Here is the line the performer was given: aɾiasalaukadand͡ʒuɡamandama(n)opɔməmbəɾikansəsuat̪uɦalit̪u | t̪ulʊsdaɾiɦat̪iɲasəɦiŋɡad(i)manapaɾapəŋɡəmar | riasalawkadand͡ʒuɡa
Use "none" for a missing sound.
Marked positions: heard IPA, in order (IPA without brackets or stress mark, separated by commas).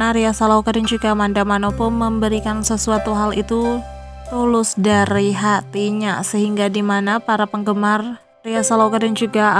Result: n, i